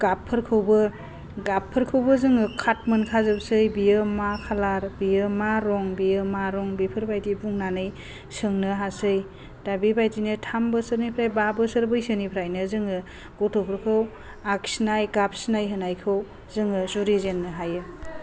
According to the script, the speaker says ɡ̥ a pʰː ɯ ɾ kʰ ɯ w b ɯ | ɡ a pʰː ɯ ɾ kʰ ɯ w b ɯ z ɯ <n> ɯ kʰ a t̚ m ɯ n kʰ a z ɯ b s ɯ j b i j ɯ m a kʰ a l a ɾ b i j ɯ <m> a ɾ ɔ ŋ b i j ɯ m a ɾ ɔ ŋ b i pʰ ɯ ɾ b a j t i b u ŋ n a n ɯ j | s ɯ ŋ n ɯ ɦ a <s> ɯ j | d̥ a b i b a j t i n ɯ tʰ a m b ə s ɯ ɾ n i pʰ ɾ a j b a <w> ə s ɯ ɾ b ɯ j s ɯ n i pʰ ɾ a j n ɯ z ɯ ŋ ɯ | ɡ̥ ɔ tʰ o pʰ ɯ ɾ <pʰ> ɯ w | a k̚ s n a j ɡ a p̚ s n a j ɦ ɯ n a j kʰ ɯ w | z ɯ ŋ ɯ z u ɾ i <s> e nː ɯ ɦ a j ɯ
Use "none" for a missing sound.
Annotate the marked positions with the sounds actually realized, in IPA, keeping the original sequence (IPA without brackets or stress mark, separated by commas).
ŋ, m, s, b, kʰ, z